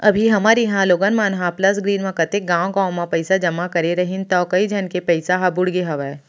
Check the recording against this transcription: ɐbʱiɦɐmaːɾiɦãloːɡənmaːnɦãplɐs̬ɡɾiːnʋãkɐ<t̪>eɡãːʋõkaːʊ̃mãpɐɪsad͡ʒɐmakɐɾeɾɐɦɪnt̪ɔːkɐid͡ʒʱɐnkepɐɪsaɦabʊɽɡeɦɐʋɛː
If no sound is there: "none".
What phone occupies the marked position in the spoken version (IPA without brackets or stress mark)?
t̪